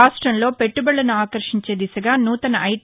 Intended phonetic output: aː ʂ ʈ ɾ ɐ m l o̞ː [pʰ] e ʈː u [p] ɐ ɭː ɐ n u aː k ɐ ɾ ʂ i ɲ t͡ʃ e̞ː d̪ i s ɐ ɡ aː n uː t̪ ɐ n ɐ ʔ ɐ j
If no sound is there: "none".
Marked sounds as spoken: p, b

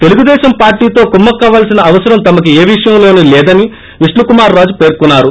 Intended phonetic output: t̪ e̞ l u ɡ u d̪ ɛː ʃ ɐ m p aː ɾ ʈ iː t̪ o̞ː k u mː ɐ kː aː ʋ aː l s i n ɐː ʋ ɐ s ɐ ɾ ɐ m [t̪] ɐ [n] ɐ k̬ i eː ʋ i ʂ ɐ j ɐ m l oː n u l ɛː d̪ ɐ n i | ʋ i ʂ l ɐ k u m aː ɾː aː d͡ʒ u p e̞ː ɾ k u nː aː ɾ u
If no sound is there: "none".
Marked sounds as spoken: t̪, m

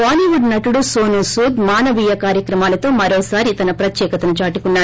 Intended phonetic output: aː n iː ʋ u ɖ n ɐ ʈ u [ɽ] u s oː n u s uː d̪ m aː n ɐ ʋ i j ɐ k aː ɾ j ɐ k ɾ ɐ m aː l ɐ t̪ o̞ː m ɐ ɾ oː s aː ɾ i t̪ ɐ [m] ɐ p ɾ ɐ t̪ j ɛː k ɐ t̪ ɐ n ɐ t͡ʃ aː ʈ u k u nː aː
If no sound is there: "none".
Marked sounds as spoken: ɽ, n

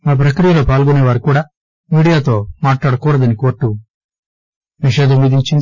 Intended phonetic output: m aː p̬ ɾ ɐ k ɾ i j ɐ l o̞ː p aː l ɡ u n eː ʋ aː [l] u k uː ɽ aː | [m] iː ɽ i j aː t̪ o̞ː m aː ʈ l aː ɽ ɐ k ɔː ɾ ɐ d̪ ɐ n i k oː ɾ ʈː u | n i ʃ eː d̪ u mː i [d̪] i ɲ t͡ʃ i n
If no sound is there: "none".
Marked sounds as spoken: ɾ, m, d̪

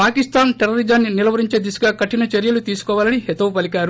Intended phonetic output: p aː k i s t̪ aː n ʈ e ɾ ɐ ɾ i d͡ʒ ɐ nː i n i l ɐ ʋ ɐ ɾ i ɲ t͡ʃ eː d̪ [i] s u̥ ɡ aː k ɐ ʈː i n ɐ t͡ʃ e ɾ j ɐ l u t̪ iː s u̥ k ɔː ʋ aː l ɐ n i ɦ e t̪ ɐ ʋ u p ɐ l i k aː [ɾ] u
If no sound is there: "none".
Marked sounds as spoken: i, ɾ

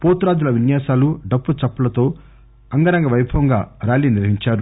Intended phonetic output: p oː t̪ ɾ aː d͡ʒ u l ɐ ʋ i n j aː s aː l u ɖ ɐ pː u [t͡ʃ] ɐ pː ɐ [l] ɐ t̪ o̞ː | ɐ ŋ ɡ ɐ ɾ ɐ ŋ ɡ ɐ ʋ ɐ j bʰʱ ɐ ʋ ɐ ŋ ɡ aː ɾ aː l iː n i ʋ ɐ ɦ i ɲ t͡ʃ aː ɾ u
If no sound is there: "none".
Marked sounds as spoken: t͡ʃ, l

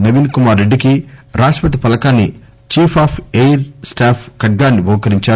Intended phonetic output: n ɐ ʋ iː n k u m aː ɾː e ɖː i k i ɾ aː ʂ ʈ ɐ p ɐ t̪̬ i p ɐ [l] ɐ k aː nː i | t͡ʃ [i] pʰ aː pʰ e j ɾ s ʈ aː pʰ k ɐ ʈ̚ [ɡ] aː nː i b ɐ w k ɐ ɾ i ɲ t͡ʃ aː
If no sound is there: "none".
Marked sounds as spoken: l, iː, ɡ

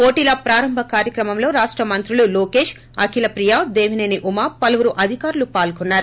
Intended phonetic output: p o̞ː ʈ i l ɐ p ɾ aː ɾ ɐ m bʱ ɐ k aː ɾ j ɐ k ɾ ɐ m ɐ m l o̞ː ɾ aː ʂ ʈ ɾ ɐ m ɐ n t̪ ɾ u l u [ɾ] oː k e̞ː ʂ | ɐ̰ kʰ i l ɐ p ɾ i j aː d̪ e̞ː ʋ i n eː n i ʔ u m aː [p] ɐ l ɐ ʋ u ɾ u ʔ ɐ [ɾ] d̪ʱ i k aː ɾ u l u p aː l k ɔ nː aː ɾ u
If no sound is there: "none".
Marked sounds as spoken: l, p, none

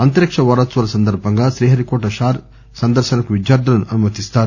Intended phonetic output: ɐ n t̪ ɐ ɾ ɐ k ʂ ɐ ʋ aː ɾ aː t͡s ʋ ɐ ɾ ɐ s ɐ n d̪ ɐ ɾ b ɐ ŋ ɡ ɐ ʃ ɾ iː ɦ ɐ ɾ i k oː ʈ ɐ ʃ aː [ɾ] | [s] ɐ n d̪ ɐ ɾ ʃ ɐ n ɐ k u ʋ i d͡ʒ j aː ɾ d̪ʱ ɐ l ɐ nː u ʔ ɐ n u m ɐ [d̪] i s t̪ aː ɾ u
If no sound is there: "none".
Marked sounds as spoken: ɾ, s, t̪

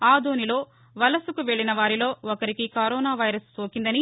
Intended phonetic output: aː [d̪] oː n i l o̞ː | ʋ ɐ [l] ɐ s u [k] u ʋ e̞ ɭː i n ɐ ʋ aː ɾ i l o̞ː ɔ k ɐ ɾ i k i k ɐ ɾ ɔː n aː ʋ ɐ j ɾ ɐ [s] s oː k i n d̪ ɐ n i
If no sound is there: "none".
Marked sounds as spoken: d̪, l, k, s

